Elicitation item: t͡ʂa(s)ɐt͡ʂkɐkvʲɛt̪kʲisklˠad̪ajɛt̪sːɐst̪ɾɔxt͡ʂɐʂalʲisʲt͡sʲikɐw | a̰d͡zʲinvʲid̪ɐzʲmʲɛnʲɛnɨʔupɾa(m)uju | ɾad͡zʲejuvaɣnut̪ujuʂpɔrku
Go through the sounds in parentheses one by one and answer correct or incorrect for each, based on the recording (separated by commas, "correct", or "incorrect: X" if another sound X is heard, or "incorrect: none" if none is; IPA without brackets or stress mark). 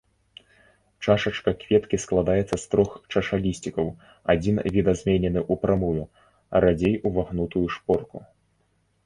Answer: incorrect: ʂ, correct